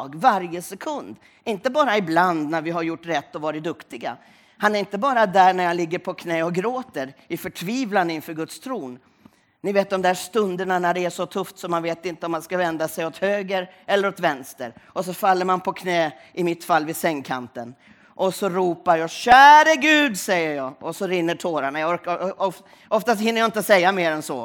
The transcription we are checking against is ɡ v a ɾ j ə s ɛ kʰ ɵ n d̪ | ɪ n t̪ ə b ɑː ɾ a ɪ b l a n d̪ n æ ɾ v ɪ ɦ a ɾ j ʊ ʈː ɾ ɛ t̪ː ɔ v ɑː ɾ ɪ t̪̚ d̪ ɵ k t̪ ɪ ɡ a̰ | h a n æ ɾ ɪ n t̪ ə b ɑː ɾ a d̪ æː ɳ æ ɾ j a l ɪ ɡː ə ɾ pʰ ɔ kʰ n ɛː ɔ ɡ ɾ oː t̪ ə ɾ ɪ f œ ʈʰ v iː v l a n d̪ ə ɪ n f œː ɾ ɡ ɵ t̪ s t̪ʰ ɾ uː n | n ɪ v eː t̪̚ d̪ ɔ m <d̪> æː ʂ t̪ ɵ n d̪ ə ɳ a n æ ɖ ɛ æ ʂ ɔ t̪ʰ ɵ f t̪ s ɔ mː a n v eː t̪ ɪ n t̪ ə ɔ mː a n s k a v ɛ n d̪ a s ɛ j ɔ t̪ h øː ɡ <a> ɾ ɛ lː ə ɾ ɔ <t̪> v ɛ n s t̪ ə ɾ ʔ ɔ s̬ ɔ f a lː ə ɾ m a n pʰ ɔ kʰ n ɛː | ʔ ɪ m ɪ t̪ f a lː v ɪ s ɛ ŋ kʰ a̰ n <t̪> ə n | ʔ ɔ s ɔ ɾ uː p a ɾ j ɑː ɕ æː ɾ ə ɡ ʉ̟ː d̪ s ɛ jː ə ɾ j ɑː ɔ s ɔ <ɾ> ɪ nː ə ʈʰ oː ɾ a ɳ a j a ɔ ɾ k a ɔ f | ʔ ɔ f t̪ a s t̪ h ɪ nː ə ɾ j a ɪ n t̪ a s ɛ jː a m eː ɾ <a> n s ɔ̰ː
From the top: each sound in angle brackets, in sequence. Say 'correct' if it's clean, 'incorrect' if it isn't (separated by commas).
correct, incorrect, correct, correct, correct, incorrect